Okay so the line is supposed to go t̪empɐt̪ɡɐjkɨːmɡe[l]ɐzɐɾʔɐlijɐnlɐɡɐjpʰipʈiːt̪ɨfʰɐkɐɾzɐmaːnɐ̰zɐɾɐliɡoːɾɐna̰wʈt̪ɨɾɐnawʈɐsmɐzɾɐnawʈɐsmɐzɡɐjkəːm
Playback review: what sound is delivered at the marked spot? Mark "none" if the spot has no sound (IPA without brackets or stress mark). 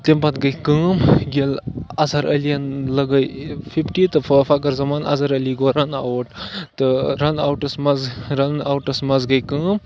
l